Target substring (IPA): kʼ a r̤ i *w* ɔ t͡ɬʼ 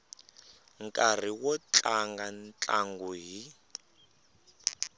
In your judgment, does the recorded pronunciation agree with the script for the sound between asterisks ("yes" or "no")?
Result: yes